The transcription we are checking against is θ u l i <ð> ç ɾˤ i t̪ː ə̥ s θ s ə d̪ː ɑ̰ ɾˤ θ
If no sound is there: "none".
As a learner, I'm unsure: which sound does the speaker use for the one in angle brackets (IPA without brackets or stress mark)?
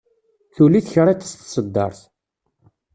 θ